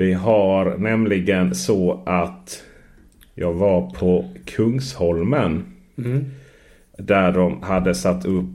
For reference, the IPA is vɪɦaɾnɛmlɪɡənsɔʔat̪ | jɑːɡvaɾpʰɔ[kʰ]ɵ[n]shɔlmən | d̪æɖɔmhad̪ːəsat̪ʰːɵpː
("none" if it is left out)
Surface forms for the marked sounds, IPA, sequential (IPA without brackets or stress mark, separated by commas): kʰ, ŋ